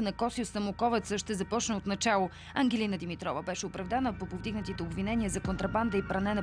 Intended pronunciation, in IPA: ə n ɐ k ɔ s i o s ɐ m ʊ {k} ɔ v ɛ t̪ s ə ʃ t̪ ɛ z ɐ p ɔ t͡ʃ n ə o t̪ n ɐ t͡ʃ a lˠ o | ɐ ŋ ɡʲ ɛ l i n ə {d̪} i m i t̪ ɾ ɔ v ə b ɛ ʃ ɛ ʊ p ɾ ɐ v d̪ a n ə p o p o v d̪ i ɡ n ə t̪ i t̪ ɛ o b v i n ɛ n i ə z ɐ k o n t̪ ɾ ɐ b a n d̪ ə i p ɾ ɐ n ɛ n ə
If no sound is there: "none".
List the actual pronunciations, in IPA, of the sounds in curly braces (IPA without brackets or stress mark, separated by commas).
k, d̪